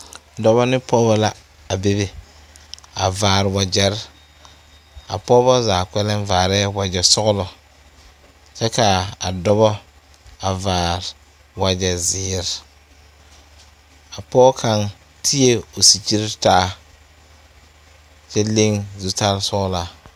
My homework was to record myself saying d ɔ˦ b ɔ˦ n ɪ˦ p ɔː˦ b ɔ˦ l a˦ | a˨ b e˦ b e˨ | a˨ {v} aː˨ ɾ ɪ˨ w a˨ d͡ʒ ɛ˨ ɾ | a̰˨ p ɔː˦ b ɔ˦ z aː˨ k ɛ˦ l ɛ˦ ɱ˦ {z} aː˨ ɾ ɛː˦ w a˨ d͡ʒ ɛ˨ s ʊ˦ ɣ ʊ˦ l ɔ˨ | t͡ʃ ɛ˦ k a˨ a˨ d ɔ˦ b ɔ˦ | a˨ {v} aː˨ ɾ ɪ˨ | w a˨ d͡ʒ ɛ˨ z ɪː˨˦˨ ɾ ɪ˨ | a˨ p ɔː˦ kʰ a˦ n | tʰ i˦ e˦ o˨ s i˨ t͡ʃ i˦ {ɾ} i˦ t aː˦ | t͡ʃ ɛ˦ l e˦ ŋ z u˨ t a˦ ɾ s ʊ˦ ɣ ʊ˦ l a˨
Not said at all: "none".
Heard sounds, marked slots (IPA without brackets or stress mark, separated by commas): v, v, v, ɾ